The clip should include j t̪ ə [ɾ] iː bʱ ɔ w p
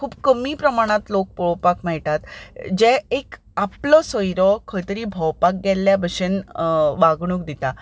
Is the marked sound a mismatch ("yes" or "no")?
no